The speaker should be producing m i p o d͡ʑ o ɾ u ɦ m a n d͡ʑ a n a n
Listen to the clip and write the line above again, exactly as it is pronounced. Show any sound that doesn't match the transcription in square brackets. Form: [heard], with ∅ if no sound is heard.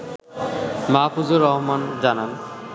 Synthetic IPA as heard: m [a] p [u] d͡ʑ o ɾ [ɔ] ɦ m a n d͡ʑ a n a n

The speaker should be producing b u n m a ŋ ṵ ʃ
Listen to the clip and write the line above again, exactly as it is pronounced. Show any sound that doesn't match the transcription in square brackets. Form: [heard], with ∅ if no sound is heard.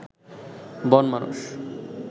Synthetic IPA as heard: b [ɔ] n m a [n] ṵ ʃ

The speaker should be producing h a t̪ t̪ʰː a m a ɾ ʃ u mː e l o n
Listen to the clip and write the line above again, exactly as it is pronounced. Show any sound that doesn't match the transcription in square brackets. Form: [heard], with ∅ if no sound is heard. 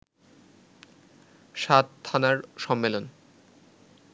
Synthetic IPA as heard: [ʃ] a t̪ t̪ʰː a [n] a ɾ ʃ [ɔ] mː e l o n

